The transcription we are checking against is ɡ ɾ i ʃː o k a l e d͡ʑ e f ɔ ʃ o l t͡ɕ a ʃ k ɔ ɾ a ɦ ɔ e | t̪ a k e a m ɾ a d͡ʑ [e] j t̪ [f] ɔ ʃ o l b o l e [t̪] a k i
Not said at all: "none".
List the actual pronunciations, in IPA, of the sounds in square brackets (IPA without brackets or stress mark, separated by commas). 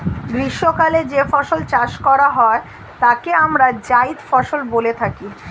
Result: a, f, t̪ʰ